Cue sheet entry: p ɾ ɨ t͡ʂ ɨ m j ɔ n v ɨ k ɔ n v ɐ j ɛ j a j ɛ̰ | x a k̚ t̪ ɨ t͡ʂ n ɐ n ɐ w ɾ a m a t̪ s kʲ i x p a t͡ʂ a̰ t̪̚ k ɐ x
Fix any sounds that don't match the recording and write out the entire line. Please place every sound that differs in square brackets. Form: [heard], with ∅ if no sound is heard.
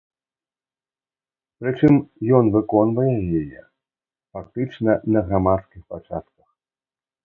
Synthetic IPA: p ɾ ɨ t͡ʂ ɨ m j ɔ n v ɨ k ɔ n v ɐ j ɛ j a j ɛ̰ | [f] a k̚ t̪ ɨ t͡ʂ n ɐ n ɐ [ɣ] ɾ a m a t̪ s kʲ i x p a t͡ʂ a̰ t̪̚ k ɐ x